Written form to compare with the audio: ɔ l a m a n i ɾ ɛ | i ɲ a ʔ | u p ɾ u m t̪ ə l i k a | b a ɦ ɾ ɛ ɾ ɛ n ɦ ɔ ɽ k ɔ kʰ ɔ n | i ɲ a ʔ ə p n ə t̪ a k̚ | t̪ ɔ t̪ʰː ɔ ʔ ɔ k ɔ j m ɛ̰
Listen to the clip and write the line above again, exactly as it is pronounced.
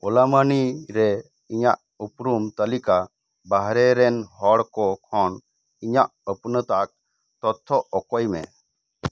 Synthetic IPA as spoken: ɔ l a m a n i ɾ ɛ | i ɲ a ʔ | u p ɾ u m t̪ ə l i k a | b a ɦ ɾ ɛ ɾ ɛ n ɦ ɔ ɽ k ɔ kʰ ɔ n | i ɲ a ʔ ə p n ə t̪ a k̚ | t̪ ɔ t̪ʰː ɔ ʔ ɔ k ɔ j m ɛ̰